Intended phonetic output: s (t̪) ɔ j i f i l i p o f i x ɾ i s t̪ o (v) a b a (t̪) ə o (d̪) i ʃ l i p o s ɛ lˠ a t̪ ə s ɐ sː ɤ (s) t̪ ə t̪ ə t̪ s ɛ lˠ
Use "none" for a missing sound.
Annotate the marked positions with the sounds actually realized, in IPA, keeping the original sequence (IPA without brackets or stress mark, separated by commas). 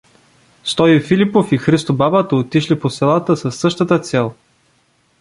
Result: t̪, b, t̪, t̪, ʃ